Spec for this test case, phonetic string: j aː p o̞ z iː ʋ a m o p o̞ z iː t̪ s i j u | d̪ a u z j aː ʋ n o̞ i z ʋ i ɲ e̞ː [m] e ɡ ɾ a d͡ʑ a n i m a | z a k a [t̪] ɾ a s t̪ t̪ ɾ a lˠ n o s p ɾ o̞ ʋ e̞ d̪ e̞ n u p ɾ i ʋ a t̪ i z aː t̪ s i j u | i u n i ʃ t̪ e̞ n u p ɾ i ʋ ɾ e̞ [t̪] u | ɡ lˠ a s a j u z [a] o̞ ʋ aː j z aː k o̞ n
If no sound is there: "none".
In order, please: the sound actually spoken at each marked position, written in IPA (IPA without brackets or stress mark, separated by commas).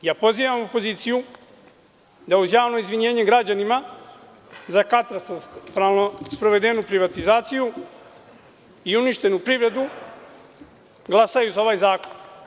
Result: ɲ, t̪, d̪, a